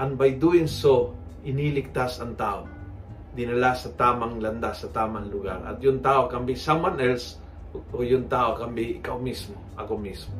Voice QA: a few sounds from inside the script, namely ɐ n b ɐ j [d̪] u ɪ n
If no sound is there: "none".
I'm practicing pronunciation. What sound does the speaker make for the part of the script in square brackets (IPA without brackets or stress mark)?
d̪